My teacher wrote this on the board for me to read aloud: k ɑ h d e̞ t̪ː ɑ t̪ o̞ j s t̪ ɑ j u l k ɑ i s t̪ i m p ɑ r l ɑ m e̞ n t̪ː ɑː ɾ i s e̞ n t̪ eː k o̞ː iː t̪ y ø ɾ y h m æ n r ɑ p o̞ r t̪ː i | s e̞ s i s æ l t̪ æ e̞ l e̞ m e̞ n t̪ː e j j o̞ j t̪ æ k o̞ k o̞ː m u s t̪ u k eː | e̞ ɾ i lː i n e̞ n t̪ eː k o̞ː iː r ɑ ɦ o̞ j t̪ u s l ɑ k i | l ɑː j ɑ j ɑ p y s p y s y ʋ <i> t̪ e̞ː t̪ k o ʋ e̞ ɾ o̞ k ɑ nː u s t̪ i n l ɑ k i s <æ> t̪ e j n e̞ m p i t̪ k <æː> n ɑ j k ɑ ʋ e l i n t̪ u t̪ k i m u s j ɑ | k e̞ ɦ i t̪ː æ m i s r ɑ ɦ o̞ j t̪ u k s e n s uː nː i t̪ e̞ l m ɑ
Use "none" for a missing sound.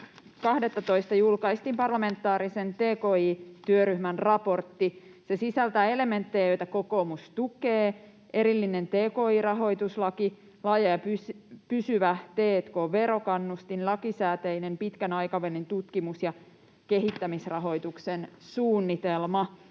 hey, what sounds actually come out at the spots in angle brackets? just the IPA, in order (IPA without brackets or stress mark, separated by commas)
æ, æː, æ